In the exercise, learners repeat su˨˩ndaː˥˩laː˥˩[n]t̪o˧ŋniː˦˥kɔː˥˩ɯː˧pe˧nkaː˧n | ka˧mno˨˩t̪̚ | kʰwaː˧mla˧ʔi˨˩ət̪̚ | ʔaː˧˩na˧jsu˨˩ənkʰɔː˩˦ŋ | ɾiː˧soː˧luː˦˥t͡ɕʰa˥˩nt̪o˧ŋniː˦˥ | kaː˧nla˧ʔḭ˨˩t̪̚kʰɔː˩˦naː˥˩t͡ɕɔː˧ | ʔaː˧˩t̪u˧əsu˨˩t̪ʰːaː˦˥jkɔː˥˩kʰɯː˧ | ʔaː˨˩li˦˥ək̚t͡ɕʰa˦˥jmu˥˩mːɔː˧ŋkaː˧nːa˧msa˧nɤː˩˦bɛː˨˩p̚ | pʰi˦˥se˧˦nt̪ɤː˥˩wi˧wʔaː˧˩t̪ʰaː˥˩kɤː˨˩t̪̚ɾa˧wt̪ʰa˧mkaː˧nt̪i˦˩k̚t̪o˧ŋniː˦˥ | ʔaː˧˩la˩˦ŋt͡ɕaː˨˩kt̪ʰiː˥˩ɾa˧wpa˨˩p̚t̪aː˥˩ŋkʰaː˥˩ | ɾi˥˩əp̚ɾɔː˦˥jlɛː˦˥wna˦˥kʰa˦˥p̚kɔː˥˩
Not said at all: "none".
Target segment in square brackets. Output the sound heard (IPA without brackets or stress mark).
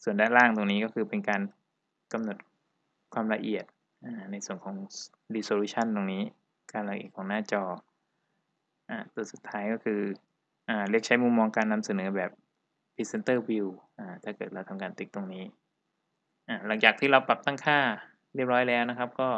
ŋ